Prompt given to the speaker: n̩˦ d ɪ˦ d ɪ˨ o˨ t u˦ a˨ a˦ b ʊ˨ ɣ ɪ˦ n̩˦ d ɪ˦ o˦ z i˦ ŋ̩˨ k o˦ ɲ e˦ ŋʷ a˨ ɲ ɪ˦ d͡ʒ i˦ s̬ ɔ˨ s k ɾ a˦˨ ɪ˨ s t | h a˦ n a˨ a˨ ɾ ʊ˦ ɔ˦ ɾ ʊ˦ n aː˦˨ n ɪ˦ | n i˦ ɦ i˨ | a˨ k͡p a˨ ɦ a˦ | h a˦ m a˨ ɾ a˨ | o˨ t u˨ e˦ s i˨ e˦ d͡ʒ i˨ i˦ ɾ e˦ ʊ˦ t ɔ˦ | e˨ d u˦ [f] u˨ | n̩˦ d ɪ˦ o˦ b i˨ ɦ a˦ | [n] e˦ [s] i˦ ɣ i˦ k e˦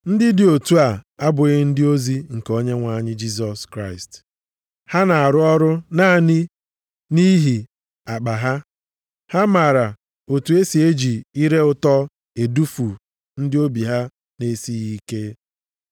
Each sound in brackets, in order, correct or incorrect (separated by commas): correct, correct, correct